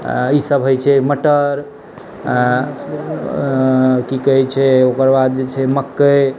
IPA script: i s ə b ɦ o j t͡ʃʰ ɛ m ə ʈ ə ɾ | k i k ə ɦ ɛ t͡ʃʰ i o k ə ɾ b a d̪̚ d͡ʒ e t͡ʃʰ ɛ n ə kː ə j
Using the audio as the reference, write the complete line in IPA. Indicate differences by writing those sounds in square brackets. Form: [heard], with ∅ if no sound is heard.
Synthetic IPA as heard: i s ə b ɦ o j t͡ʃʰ ɛ m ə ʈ ə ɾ | k i k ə ɦ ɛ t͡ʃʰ [ɛ] o k ə ɾ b a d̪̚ d͡ʒ e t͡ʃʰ ɛ [m] ə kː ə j